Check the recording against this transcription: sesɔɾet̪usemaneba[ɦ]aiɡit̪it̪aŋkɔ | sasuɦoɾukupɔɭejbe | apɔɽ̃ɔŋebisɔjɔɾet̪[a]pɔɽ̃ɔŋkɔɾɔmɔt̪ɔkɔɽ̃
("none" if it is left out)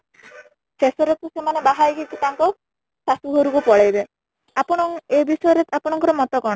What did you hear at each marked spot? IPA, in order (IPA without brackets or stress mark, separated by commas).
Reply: ɦ, a